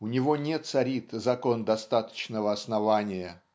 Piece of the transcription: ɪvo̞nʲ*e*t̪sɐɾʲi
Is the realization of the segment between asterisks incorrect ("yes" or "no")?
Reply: no